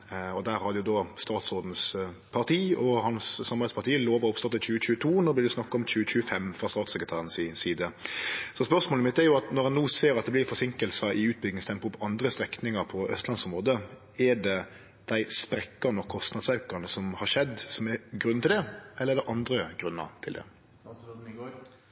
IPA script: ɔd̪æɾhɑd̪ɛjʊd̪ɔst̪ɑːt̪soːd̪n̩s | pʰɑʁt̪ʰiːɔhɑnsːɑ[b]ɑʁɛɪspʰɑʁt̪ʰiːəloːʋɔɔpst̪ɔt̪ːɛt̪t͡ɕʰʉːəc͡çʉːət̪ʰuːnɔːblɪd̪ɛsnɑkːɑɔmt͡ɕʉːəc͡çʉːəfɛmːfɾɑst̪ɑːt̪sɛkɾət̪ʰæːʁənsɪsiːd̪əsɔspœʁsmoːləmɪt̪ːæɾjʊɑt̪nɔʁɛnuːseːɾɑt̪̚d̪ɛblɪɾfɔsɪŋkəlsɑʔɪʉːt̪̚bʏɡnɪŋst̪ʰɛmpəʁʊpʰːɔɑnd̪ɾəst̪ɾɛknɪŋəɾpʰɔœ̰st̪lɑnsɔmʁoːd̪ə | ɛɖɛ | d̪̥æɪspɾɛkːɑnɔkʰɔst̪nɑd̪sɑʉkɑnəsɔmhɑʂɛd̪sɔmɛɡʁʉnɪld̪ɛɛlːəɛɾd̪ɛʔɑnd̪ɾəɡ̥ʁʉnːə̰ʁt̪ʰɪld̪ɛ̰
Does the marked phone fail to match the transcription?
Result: yes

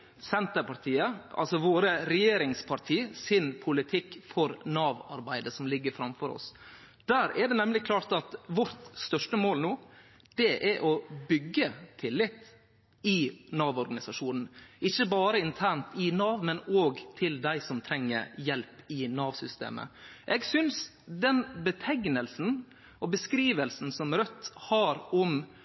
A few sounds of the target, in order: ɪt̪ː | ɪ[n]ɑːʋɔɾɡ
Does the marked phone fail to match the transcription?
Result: no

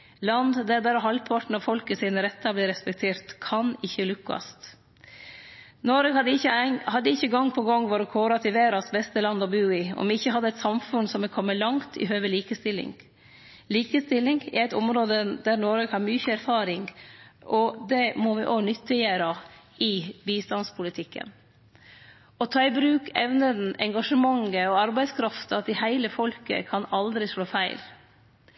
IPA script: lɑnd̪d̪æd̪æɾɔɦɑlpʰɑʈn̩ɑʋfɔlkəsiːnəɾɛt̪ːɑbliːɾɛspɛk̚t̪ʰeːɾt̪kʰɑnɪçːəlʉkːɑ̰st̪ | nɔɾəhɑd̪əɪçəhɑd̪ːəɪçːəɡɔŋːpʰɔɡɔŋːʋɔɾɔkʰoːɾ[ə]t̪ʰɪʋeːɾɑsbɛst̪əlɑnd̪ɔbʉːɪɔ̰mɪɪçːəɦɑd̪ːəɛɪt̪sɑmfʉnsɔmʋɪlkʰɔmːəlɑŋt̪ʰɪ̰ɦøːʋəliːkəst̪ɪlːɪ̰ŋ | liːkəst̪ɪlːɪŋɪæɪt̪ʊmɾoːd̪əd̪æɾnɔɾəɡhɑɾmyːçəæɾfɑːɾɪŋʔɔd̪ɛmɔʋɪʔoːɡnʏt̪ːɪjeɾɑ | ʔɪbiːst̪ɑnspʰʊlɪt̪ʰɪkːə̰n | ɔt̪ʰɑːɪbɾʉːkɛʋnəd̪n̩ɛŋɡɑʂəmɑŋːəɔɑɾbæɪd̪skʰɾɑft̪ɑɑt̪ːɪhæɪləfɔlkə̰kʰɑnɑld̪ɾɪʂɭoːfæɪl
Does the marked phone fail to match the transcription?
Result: yes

